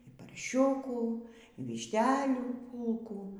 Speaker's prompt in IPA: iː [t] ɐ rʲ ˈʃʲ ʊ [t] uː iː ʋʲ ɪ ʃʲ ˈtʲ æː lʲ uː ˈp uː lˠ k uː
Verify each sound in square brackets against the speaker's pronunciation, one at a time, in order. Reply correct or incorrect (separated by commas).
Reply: incorrect, incorrect